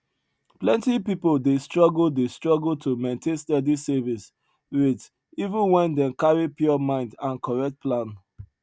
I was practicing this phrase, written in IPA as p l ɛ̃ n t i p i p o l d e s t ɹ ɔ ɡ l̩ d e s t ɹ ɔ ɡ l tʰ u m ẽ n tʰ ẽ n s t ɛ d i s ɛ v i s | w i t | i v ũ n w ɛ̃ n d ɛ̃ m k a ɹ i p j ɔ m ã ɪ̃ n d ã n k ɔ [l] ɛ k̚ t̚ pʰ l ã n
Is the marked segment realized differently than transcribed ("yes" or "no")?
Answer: yes